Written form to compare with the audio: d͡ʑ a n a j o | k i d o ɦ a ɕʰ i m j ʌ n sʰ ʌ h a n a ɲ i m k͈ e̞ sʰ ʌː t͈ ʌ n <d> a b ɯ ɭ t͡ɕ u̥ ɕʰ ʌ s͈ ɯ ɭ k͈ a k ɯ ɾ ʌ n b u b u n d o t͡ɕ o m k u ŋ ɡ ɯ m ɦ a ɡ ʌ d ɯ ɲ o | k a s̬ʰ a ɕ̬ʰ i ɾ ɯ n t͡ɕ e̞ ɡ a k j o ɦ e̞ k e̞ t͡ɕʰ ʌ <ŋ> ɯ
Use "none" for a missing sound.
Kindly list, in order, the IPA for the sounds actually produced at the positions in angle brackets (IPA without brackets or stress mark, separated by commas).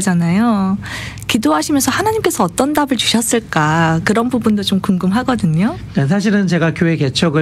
d, ɡ